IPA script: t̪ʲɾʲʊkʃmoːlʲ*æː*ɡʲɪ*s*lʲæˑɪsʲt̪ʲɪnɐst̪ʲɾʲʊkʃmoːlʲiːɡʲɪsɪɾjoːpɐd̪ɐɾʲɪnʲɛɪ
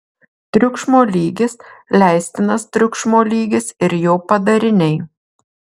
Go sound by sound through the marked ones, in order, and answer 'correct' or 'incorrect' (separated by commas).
incorrect, correct